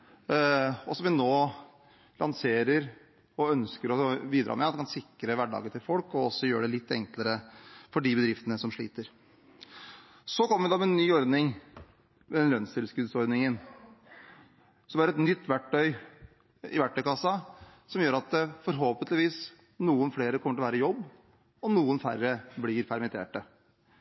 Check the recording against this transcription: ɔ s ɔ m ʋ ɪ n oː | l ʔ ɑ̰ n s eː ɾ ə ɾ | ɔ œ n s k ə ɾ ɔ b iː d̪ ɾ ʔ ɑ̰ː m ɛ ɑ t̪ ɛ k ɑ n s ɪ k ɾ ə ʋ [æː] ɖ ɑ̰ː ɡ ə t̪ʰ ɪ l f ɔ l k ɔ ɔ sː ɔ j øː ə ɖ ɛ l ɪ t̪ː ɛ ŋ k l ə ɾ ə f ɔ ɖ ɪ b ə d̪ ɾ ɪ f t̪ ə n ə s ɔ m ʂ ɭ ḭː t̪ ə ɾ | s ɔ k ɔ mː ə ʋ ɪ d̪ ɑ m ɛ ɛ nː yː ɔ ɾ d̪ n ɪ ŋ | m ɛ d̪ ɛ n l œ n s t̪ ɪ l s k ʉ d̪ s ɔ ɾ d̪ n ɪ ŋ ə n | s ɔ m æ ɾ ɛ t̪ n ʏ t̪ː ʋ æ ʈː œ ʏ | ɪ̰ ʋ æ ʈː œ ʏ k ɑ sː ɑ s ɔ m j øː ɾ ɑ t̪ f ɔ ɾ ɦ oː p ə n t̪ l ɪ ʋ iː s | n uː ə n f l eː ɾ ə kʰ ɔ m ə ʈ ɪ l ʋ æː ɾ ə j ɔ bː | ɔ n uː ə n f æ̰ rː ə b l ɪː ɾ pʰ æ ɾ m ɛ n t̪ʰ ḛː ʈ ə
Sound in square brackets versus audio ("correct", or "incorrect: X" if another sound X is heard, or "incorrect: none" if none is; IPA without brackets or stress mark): incorrect: æ